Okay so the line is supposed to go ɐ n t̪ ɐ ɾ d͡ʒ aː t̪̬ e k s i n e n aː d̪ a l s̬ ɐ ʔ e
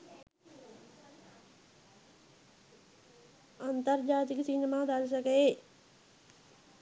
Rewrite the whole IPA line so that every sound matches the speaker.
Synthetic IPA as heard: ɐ n t̪ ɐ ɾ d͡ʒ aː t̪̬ i k s i n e m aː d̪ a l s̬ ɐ k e